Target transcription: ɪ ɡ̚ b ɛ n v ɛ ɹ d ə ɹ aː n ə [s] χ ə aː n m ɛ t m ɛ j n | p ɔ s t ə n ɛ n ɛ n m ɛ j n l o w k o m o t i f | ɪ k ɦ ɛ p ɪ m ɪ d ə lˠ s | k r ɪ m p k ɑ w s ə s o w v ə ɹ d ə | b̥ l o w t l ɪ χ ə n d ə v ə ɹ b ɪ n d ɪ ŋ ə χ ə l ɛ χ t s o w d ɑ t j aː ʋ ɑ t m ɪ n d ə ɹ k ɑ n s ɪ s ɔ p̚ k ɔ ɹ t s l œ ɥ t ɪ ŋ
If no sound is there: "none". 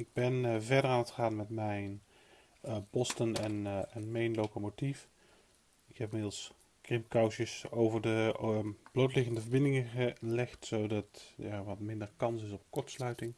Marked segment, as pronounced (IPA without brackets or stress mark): t